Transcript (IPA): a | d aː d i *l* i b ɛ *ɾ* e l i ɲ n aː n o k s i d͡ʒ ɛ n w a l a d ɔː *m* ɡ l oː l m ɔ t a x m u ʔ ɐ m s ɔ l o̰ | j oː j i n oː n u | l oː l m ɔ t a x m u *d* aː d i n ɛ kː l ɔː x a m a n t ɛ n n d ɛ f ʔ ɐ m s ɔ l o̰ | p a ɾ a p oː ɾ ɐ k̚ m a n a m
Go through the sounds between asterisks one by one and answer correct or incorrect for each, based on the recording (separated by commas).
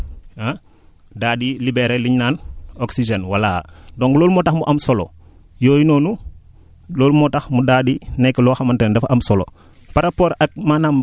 correct, correct, incorrect, correct